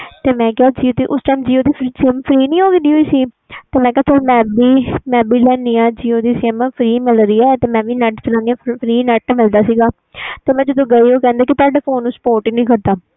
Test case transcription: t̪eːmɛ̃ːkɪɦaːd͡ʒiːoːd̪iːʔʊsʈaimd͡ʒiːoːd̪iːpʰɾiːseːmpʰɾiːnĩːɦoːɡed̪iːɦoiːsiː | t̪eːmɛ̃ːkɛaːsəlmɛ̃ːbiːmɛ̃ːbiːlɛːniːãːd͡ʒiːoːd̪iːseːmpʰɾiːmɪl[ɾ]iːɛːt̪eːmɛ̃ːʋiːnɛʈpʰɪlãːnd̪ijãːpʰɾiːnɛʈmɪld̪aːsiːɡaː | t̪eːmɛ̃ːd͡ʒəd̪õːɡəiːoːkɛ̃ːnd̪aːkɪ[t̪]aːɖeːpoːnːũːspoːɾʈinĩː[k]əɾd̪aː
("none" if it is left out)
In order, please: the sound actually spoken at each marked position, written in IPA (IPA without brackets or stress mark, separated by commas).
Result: ɾ, t̪, k